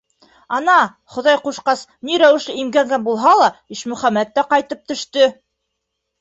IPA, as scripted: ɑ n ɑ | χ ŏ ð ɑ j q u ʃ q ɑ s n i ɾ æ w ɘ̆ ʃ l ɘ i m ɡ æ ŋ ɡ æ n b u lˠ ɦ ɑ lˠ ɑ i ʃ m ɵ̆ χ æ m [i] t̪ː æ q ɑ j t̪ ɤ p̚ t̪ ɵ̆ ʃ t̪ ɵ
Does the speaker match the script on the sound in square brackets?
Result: no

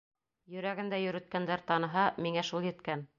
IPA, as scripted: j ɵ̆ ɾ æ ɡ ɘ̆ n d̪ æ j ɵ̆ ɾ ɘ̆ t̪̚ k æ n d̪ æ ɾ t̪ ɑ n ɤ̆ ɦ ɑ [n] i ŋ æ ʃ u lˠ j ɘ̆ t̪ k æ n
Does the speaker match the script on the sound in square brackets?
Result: no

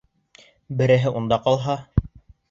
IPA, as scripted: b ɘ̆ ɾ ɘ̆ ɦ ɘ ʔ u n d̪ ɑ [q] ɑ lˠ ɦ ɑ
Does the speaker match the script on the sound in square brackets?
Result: yes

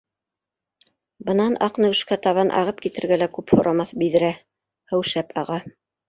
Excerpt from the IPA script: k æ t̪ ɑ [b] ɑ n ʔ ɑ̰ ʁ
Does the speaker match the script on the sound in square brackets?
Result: no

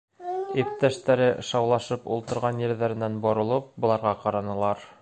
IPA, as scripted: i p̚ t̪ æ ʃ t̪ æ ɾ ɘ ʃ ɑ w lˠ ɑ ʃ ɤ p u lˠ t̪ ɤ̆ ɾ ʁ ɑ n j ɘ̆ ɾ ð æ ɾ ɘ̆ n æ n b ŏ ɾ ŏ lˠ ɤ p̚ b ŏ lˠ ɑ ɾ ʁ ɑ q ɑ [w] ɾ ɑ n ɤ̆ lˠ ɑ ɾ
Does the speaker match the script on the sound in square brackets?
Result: no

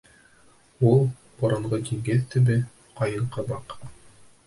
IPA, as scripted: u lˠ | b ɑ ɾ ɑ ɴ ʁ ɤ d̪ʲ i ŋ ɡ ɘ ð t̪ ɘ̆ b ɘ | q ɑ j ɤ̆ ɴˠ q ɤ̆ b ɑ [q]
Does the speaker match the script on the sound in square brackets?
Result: yes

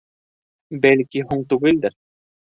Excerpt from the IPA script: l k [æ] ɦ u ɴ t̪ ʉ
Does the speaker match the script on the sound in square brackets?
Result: no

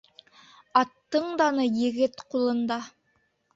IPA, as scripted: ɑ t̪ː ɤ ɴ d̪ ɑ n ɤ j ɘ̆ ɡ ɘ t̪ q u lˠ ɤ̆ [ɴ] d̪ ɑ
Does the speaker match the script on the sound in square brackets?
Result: no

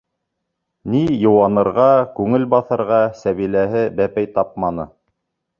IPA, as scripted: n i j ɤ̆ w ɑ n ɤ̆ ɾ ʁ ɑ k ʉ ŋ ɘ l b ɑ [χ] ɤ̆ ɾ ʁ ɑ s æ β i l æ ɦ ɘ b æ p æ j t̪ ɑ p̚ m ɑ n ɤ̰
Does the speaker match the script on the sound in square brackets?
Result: no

